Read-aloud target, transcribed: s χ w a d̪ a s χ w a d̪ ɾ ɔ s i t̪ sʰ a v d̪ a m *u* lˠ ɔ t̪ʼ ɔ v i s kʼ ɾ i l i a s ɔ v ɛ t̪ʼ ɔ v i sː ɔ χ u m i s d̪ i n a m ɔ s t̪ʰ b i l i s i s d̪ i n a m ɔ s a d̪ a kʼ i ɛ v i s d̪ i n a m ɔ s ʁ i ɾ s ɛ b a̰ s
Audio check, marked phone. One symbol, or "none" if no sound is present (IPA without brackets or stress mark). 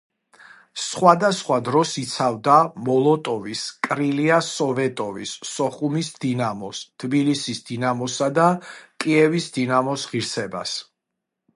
ɔ